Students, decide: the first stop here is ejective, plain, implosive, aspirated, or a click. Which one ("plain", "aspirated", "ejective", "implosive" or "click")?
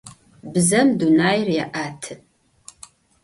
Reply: plain